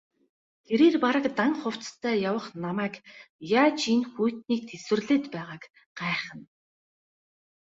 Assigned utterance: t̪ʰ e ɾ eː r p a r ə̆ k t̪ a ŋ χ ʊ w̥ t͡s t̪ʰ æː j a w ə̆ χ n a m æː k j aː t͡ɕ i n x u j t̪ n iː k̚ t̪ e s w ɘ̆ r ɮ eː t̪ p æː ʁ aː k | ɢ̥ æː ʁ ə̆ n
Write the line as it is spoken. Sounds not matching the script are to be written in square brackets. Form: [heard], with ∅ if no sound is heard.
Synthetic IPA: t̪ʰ e ɾ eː r p a [ɾ] ə̆ k t̪ a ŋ χ ʊ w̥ t͡s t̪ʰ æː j a w ə̆ χ n a m æː k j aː t͡ɕ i n x u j t̪ n iː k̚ [t̪ʰ] e s w ɘ̆ r ɮ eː t̪ p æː ʁ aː k | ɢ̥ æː [χ] ə̆ n